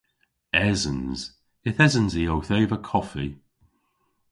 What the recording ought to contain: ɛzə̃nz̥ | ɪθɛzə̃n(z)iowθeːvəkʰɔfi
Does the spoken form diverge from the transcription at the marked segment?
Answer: no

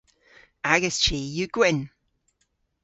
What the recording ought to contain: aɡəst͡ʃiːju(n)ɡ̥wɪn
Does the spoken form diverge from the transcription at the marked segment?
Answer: yes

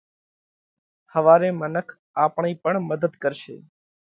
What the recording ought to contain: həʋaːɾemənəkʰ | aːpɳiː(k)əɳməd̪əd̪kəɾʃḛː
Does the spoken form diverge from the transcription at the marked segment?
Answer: yes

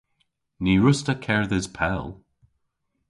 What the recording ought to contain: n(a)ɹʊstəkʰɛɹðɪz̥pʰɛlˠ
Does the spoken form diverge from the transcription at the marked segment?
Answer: yes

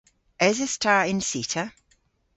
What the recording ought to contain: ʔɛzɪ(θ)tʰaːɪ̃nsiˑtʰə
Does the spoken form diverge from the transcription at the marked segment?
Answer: yes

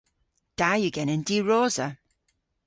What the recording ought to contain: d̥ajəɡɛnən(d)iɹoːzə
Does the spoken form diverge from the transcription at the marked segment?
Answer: no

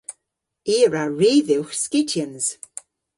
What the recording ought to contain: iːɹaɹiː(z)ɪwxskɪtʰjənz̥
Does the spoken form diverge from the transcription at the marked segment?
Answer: yes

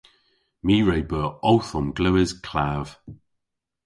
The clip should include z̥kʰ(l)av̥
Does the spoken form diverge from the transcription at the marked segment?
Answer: no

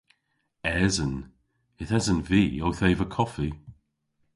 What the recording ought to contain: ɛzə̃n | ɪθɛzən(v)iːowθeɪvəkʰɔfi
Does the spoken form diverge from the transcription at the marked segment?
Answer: no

